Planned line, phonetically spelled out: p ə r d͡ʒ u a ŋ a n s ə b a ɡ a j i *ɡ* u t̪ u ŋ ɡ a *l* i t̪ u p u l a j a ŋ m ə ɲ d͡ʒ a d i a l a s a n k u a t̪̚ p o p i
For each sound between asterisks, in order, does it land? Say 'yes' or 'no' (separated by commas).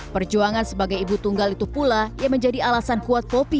no, yes